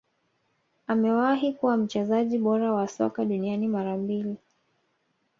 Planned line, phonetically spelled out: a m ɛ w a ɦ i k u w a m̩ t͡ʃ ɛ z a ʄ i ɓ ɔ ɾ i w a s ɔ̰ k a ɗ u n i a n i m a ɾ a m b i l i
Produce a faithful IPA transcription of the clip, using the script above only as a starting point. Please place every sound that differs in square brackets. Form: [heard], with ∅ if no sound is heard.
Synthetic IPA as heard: a m ɛ w a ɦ i k u w a m̩ t͡ʃ ɛ z a ʄ i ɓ ɔ ɾ [a] w a s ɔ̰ k a ɗ u n i a n i m a ɾ a m b i l i